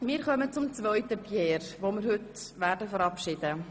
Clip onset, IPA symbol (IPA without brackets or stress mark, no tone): m